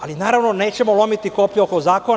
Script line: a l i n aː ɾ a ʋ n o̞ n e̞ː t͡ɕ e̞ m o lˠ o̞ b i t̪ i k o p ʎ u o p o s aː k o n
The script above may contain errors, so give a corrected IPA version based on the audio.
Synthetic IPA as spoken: a l i n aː ɾ a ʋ n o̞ n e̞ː t͡ɕ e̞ m o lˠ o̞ m i t̪ i k o p ʎ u o k o z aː k o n